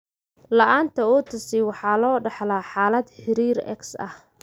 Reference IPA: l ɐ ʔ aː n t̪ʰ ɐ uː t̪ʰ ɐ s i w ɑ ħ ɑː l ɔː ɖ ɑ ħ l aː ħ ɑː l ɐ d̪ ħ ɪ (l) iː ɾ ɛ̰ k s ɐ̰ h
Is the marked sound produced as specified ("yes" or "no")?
no